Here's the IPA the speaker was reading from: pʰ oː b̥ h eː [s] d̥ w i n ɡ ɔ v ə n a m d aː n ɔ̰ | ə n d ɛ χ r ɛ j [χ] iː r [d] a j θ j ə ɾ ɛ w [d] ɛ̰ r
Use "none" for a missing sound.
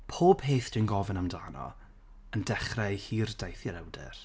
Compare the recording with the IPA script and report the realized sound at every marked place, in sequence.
θ, h, d, d

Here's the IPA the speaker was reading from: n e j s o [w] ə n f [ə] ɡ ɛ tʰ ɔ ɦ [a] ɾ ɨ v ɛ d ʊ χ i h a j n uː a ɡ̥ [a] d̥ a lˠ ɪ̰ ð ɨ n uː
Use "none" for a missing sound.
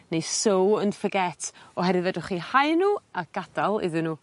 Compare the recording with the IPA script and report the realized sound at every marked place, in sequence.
w, ə, ɛ, a

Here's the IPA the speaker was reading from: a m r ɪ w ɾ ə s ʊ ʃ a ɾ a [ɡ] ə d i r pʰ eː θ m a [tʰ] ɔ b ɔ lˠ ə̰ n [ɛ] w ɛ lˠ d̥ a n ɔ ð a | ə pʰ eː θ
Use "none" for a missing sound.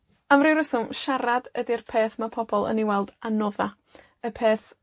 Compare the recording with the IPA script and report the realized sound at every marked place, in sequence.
d, pʰ, i

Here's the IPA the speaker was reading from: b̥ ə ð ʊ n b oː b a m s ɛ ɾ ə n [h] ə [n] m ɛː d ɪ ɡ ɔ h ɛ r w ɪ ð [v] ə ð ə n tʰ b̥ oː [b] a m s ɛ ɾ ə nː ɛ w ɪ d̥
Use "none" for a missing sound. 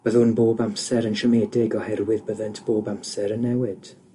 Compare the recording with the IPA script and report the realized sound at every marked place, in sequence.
ʃ, none, b, b

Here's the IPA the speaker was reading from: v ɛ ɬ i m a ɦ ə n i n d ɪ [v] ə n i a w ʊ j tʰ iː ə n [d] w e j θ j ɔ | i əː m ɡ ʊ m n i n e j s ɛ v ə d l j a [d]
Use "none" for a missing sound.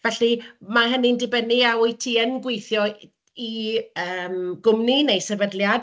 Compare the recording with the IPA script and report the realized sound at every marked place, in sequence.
b, ɡ, d

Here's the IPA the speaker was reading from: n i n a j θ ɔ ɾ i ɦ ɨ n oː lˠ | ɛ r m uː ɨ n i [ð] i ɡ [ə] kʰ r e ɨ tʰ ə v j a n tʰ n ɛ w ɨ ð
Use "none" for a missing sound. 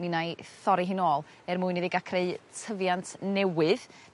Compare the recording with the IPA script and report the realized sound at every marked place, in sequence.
ð, a

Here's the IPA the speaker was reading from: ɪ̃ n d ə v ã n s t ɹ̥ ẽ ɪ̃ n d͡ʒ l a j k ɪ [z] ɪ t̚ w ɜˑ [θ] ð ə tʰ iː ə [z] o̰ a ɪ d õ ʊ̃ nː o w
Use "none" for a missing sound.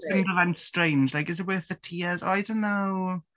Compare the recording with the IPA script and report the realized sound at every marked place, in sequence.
z, θ, z

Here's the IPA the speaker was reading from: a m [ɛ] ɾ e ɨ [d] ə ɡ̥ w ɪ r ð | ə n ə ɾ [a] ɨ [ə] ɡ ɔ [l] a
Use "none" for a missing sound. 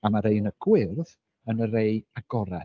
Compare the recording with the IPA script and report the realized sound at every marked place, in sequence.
a, n, e, a, ɾ

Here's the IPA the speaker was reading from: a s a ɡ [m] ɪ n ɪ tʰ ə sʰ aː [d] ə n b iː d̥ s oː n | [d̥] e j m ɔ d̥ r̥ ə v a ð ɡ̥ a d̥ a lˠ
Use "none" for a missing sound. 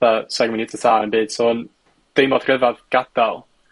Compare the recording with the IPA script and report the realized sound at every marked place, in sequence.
m, n, d̥

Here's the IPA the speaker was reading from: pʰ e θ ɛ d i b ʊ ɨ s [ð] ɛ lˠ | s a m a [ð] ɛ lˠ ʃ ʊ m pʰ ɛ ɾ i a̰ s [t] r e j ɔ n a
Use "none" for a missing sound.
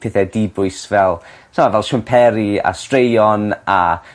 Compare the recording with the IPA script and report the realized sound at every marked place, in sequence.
v, v, t

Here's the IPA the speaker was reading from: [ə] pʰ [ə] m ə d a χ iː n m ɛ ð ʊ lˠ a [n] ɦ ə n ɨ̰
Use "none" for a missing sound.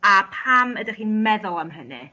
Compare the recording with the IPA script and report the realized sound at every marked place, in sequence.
a, a, m

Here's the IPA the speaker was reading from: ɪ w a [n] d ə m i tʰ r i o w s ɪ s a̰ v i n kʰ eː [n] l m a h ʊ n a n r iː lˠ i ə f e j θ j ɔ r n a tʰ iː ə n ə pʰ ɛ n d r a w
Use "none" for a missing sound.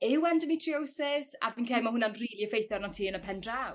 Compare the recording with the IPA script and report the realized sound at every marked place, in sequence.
n, none

